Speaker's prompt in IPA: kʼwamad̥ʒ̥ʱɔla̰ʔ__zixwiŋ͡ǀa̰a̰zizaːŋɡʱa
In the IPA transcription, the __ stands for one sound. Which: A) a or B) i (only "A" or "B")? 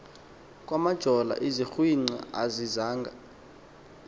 B